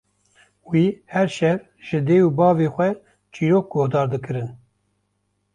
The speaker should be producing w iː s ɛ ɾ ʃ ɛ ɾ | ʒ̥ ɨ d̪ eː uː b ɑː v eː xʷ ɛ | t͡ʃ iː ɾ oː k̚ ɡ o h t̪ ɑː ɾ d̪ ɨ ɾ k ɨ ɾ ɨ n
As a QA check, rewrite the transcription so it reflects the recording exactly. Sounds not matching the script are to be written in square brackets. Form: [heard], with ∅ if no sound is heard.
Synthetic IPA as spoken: w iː [h] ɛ ɾ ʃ ɛ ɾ | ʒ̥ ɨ d̪ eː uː b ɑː v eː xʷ ɛ | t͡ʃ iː ɾ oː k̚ ɡ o h [d̪] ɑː ɾ d̪ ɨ [∅] k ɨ ɾ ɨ n